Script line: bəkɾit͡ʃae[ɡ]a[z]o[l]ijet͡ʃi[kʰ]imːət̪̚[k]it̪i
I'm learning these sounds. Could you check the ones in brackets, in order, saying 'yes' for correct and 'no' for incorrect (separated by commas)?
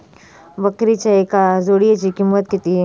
no, yes, no, no, yes